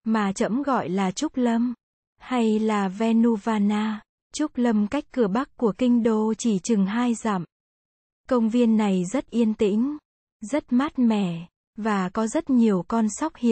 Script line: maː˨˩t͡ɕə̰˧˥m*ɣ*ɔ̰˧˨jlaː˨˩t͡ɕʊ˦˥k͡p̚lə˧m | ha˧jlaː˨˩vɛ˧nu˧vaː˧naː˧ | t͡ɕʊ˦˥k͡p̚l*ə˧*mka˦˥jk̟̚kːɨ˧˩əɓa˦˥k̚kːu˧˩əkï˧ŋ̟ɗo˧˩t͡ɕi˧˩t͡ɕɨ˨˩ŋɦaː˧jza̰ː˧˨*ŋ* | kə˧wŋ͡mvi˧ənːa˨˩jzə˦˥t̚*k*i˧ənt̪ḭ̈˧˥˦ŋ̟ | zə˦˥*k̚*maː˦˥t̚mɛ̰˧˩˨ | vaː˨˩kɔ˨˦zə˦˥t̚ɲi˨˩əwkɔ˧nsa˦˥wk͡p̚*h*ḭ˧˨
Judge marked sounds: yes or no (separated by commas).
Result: yes, yes, no, no, no, yes